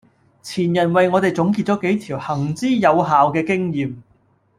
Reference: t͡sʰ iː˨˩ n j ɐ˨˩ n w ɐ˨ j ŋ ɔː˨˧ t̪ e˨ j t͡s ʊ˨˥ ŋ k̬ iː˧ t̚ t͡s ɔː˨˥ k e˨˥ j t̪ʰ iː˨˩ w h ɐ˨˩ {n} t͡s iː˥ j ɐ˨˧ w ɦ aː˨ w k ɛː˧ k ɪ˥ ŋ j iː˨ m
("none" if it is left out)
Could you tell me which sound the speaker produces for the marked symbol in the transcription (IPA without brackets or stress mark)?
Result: ŋ